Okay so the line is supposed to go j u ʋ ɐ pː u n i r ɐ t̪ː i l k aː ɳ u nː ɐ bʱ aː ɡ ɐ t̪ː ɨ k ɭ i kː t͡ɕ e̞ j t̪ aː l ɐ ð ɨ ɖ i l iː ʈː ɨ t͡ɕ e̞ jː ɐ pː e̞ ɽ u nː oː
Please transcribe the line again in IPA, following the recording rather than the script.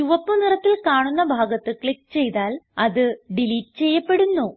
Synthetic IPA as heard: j u ʋ ɐ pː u n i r ɐ t̪ː i l k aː ɳ u nː ɐ bʱ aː ɡ ɐ t̪ː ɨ k ɭ i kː t͡ɕ e̞ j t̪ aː l ɐ ð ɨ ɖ i l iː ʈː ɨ t͡ɕ e̞ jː ɐ pː e̞ ɽ u nː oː

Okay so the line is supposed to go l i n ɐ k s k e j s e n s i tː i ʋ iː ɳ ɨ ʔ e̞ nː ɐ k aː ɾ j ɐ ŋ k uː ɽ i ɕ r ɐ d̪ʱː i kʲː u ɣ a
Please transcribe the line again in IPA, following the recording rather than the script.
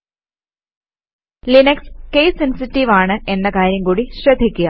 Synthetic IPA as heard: l i n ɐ k s k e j s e n s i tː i ʋ aː ɳ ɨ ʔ e̞ nː ɐ k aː ɾ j ɐ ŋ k uː ɽ i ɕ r ɐ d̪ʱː i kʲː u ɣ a

